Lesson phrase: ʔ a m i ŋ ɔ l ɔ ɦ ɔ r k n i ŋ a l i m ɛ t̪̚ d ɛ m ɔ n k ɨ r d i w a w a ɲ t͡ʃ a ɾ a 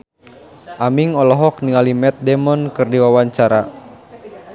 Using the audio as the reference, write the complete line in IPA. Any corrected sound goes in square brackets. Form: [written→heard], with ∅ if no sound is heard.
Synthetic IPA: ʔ a m i ŋ ɔ l ɔ ɦ ɔ [r→∅] k n i ŋ a l i m ɛ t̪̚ d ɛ m ɔ n k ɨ r d i w a w a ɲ t͡ʃ a ɾ a